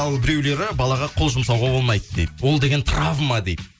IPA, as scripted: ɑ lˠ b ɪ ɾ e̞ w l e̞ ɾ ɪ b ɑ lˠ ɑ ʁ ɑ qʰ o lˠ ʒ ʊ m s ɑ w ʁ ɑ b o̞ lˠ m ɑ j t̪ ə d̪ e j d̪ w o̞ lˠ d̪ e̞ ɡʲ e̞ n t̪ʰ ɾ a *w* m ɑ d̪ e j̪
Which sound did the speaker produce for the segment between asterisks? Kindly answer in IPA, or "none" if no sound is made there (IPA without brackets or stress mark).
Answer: v